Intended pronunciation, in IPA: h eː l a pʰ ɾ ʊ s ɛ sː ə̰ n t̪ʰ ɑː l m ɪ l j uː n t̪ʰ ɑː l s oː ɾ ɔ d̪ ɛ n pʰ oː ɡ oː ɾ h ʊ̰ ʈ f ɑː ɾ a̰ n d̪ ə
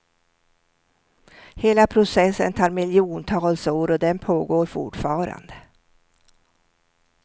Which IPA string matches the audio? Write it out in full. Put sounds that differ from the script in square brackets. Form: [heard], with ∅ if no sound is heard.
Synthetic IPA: h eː l a pʰ ɾ ʊ s ɛ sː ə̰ n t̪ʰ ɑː [ɾ] m ɪ l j uː n t̪ʰ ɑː l s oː ɾ ɔ d̪ ɛ n pʰ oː ɡ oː ɾ [f] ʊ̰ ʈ f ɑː ɾ a̰ n d̪ ə